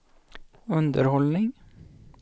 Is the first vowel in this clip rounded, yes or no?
yes